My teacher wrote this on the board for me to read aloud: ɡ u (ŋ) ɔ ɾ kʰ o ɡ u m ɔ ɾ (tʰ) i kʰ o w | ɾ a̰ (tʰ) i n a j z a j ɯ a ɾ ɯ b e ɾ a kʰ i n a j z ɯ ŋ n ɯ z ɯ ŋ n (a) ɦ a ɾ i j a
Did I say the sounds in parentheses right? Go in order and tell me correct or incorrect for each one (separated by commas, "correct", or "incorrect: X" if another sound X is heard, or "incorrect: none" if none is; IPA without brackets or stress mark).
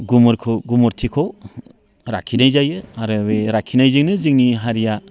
incorrect: m, correct, incorrect: kʰ, incorrect: i